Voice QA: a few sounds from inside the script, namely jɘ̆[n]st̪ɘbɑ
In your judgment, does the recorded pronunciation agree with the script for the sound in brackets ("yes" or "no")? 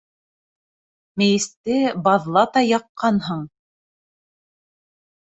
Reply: no